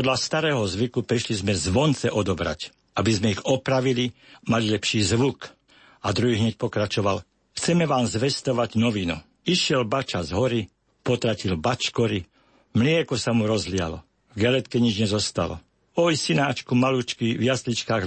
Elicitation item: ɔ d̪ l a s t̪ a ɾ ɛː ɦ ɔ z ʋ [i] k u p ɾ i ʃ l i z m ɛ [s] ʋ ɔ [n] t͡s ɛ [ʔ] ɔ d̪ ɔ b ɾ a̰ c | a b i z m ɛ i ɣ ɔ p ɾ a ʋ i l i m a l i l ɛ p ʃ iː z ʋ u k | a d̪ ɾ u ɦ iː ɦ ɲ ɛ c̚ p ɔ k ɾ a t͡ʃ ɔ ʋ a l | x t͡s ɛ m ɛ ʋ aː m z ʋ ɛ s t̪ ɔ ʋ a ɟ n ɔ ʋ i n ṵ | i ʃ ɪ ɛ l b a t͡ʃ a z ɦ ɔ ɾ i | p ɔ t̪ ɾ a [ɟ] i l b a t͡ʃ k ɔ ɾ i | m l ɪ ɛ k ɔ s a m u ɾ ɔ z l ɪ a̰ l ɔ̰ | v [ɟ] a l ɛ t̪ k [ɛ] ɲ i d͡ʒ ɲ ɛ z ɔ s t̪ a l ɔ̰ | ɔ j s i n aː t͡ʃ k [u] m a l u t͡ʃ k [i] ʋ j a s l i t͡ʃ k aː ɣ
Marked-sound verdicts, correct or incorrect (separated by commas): correct, incorrect, correct, correct, incorrect, incorrect, correct, correct, correct